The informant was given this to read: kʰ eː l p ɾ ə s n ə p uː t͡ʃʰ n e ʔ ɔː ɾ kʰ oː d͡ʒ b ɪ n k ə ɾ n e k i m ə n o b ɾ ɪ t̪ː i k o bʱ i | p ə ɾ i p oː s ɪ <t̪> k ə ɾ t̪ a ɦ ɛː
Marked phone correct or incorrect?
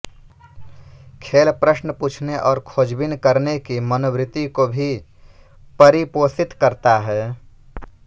correct